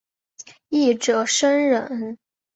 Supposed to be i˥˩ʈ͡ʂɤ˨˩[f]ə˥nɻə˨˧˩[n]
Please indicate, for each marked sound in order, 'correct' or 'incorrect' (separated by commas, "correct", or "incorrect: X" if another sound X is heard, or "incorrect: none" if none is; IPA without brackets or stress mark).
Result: incorrect: ʂ, correct